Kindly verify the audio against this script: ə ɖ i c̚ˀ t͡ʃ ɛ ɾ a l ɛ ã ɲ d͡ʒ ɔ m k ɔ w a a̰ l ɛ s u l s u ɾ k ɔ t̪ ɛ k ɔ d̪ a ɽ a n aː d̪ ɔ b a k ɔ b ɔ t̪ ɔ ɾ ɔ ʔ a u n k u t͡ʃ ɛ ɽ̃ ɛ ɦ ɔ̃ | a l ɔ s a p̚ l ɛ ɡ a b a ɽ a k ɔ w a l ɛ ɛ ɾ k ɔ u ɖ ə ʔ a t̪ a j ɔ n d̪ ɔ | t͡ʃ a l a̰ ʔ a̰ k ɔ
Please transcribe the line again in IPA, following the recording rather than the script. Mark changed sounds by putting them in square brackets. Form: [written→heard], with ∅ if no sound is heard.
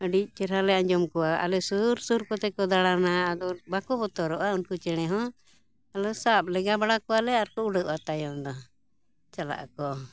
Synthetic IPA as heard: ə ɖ i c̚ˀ t͡ʃ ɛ ɾ a l ɛ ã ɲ d͡ʒ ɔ m k ɔ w a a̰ l ɛ s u [l→ɾ] s u ɾ k ɔ t̪ ɛ k ɔ d̪ a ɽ a n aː d̪ ɔ b a k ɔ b ɔ t̪ ɔ ɾ ɔ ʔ a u n k u t͡ʃ ɛ ɽ̃ ɛ ɦ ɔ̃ | a l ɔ s a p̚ l ɛ ɡ a b a ɽ a k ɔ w a l ɛ [ɛ→a] ɾ k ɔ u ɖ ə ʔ a t̪ a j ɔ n d̪ ɔ | t͡ʃ a l a̰ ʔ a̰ k ɔ